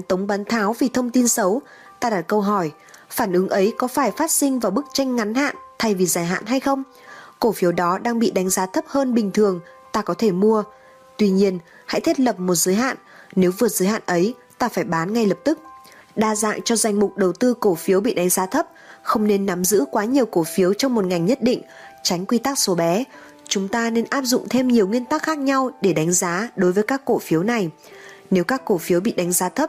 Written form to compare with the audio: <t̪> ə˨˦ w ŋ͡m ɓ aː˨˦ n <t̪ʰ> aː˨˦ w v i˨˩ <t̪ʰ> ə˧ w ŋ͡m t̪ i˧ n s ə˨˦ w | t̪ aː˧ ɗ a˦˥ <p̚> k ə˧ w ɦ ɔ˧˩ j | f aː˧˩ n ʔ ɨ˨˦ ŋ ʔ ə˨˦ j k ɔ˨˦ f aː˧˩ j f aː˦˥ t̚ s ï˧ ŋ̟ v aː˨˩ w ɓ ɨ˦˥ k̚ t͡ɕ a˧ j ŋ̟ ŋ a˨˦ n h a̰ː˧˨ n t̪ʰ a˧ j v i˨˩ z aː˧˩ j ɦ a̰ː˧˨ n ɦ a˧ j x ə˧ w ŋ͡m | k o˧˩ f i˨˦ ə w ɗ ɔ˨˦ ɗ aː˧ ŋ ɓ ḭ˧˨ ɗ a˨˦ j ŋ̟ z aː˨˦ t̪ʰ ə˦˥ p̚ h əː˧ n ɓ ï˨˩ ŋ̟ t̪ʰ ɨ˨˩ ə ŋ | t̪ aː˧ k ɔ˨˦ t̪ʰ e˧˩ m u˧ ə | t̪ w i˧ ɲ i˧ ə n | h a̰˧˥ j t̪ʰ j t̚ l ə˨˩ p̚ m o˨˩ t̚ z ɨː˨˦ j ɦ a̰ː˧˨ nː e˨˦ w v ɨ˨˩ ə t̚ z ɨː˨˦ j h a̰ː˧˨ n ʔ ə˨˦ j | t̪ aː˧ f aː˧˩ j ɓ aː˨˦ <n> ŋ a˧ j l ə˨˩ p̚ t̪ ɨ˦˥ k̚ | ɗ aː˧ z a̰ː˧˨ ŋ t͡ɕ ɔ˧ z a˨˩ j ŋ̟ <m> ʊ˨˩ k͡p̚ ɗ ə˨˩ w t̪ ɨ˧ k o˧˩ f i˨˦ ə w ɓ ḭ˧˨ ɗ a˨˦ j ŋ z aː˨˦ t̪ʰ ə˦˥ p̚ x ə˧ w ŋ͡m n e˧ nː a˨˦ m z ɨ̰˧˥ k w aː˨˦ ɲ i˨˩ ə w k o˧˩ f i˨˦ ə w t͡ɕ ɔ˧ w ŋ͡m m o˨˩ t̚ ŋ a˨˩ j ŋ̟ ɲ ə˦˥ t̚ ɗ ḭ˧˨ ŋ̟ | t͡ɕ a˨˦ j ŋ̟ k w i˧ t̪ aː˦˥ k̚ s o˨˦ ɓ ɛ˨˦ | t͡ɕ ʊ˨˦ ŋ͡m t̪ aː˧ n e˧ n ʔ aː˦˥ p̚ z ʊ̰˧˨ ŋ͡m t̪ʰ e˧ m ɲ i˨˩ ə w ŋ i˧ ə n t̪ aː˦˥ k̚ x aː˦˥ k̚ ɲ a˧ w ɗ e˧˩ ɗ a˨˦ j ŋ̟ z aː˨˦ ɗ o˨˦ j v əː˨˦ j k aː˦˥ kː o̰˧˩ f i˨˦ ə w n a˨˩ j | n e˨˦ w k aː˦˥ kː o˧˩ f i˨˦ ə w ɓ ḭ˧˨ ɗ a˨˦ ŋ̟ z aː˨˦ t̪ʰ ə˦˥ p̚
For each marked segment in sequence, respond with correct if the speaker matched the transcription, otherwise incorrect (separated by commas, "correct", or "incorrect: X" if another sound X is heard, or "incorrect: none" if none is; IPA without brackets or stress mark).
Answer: correct, correct, correct, incorrect: t̚, correct, correct